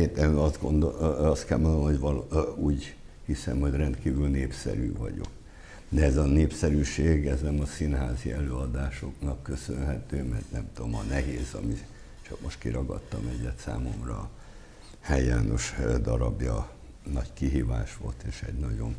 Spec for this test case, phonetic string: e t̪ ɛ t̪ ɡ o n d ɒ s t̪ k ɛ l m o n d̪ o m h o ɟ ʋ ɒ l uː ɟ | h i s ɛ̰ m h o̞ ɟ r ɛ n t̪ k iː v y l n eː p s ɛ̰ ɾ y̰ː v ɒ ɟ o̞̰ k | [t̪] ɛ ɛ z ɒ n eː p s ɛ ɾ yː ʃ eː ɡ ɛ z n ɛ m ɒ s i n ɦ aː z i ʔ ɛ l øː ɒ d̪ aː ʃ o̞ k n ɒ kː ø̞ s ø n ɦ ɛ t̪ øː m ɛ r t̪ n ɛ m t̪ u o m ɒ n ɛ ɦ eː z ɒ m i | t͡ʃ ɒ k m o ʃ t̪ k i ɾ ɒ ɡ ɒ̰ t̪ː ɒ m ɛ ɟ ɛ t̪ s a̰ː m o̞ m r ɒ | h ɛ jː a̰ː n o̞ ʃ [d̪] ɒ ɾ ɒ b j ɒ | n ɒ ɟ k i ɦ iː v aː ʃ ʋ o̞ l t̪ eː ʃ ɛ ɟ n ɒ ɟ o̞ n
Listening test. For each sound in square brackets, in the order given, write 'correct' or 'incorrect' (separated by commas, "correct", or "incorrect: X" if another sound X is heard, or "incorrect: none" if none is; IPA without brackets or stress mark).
incorrect: d̪, correct